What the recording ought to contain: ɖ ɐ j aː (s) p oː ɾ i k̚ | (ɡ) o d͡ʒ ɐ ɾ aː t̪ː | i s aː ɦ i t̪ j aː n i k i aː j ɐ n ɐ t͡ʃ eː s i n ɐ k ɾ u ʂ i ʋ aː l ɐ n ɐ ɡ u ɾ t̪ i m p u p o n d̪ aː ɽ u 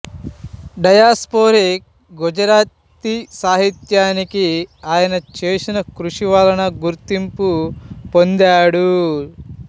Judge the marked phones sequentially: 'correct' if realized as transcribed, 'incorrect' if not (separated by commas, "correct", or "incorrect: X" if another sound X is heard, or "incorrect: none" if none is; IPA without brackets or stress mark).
correct, correct